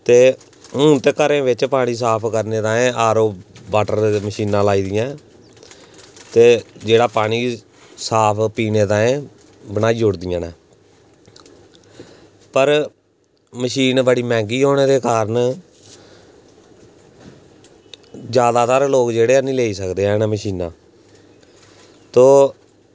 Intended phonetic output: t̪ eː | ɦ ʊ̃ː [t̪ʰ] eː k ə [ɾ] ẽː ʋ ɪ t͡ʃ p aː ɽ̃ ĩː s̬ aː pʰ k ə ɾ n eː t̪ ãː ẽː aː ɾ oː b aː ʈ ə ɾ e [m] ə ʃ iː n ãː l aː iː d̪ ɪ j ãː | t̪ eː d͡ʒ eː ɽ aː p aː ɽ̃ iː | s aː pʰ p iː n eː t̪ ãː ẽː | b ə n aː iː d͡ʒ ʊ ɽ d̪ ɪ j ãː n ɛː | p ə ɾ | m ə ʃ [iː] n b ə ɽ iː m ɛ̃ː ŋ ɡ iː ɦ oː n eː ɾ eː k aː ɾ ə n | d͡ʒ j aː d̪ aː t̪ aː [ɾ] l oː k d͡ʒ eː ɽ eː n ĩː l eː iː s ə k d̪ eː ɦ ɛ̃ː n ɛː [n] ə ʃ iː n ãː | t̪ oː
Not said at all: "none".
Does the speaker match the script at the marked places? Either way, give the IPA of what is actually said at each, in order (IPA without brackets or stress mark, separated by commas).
t̪, ɾ, m, iː, ɾ, m